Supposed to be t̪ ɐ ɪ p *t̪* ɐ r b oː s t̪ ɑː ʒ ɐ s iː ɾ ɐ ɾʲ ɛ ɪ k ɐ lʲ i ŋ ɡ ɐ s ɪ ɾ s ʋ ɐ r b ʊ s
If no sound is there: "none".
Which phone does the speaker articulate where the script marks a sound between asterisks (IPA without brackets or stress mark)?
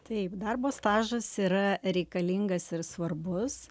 d̪